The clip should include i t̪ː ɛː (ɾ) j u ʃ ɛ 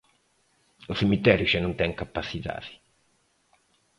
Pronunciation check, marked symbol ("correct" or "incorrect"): correct